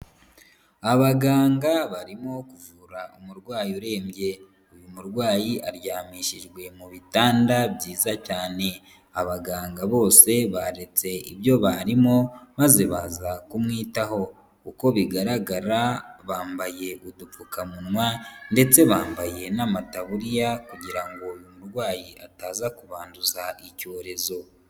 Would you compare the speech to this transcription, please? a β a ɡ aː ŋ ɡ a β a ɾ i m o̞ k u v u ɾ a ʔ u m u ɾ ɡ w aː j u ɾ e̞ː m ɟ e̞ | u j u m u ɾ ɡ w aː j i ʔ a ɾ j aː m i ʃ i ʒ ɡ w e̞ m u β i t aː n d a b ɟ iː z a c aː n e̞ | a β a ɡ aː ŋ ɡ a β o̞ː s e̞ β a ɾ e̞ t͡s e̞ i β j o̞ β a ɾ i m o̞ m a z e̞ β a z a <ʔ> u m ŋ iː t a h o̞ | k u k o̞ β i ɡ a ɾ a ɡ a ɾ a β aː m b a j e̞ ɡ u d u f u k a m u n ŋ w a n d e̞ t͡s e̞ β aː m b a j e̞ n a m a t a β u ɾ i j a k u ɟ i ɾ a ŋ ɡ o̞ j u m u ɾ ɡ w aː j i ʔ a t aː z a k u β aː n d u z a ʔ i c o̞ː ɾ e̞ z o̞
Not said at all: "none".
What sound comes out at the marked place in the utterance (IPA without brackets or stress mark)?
k